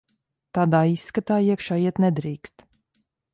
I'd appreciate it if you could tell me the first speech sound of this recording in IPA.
t̪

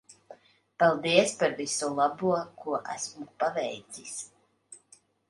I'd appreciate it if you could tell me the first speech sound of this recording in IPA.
p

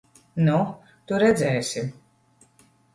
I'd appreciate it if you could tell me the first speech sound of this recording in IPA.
n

